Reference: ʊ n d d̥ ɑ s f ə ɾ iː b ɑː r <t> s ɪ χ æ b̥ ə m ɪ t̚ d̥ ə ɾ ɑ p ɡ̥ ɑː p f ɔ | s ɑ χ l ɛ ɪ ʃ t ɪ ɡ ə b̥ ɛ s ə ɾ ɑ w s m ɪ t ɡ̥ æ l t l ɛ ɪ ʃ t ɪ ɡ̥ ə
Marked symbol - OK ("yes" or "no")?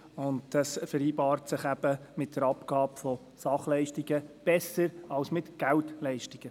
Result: yes